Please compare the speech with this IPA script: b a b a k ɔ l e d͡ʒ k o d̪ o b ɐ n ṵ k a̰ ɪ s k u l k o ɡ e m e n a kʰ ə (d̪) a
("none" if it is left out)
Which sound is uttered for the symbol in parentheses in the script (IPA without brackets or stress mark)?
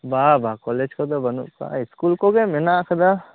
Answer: d̪